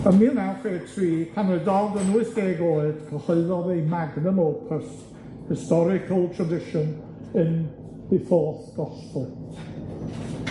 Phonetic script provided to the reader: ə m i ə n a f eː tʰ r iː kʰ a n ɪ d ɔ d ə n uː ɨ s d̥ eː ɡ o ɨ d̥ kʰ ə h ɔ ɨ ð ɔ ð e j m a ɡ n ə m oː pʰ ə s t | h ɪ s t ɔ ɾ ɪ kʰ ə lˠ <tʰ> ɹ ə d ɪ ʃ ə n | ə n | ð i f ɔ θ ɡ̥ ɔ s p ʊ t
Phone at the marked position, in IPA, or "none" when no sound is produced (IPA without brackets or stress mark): tʰ